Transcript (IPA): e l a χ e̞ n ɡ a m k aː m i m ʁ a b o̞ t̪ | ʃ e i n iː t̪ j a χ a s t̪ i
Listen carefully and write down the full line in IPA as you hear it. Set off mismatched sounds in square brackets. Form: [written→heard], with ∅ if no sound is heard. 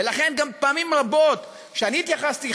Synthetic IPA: e l a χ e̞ n ɡ a m [k→p] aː m i m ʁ a b o̞ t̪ | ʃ e [i→a] n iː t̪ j a χ a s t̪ i

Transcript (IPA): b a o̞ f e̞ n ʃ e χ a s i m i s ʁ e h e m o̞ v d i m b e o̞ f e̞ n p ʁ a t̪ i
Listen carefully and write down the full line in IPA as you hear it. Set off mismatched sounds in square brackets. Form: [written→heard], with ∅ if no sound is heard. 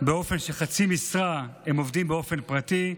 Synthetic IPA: b [a→e] o̞ f e̞ n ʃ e χ a [s→t͡s] i m i s ʁ [e→a] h e m o̞ v d i m b e o̞ f e̞ n p ʁ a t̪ i

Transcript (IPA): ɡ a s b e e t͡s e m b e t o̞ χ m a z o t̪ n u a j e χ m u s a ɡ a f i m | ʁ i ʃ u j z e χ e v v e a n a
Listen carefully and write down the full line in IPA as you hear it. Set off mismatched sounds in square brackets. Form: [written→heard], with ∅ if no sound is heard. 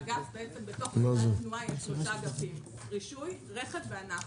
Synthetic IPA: ɡ a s b e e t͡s e m b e t o̞ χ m a z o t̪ n u a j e [χ→ʃ] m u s a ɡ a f i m | ʁ i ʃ u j [z→ʁ] e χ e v v e a n a

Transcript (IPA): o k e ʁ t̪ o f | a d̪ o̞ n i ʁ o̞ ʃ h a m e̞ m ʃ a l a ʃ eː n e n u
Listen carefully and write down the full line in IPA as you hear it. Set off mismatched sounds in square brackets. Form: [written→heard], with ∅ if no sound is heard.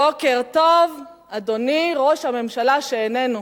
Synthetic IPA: o k e ʁ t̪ o [f→v] | a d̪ o̞ n i ʁ o̞ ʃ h a m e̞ m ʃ a l a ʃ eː n e n u

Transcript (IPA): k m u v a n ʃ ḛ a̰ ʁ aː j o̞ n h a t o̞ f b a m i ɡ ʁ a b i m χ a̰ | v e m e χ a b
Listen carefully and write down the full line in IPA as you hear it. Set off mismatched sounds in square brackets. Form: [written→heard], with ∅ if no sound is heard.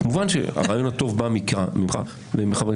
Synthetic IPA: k m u v a n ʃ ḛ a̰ ʁ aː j o̞ n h a t o̞ [f→v] b a m i [ɡ→k] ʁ a [b→m] i m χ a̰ | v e m e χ a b

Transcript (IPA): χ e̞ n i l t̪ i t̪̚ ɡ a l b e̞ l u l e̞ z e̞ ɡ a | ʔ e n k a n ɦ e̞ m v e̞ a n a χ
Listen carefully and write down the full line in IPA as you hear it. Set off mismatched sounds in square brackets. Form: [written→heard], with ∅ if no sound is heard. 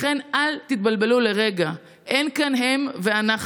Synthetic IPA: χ e̞ n [i→a] l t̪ i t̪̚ [ɡ→b] a l b e̞ l u l e̞ [z→ʁ] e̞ ɡ a | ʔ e n k a n ɦ e̞ m v e̞ a n a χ

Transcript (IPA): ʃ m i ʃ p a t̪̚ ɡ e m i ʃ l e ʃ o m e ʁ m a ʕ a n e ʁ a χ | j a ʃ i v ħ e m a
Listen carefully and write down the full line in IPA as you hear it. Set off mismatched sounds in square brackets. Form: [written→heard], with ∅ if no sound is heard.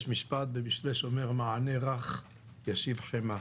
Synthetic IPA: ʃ m i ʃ p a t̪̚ [ɡ→b] e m i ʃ l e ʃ o m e ʁ m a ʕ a n e ʁ a χ | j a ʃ i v ħ e m a

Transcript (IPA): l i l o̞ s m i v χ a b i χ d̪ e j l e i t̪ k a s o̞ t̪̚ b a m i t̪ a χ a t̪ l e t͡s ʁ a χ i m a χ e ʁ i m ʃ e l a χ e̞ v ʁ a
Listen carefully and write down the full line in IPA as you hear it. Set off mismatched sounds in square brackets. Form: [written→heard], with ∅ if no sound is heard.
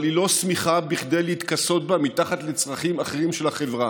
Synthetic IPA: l i l o̞ s m i [v→∅] χ a b i χ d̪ e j l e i t̪ k a s o̞ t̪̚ b a m i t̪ a χ a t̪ l e t͡s ʁ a χ i m a χ e ʁ i m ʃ e l a χ e̞ v ʁ a

